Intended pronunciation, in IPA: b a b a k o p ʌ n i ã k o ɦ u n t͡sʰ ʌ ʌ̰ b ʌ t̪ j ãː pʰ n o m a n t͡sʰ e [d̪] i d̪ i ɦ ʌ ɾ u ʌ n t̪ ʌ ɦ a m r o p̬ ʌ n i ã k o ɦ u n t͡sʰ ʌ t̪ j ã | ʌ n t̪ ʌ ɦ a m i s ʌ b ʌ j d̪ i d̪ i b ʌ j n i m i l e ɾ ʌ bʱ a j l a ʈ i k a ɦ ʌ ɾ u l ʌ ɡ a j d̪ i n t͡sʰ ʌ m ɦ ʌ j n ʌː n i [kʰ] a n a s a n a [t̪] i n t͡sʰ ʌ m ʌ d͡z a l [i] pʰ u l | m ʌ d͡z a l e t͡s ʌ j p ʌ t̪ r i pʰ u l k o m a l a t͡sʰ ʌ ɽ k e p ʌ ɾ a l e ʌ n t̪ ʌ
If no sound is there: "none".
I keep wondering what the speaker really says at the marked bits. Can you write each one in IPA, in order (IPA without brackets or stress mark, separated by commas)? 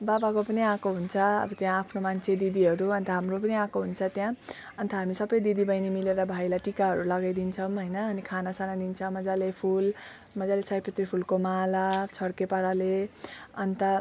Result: d̪, kʰ, d̪, e